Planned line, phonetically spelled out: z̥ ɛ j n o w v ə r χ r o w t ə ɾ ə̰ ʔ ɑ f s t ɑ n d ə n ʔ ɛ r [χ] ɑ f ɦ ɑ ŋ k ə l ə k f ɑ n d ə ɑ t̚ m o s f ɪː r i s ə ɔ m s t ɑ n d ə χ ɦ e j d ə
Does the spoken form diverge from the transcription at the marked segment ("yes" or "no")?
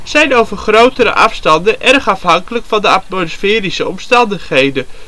no